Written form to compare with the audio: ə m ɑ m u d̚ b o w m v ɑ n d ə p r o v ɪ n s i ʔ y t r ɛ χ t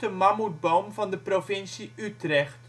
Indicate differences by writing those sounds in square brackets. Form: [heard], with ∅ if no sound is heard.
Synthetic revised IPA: ə m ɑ m u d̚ b o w m v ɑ n d ə p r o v ɪ n s i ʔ y t r ɛ χ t